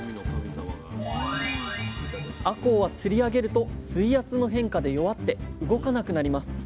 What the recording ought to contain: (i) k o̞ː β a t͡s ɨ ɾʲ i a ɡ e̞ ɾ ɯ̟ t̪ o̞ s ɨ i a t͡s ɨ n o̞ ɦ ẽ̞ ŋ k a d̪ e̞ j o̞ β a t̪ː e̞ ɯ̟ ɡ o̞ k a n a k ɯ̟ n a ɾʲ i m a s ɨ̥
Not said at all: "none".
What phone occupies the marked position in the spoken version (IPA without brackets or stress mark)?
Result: a